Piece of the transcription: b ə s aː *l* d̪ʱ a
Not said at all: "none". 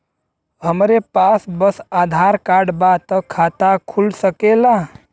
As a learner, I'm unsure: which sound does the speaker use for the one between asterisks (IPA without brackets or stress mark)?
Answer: none